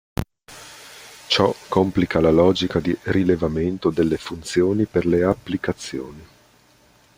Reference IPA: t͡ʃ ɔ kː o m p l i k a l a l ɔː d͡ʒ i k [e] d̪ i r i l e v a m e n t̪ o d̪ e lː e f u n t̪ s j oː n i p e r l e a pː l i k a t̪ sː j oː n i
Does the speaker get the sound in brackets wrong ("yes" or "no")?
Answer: yes